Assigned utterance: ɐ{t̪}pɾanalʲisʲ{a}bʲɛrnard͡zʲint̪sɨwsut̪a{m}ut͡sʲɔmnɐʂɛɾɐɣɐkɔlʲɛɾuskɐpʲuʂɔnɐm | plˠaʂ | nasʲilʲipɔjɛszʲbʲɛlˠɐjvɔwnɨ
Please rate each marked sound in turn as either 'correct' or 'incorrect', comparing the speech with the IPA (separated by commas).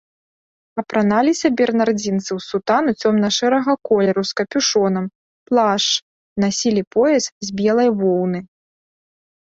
incorrect, incorrect, incorrect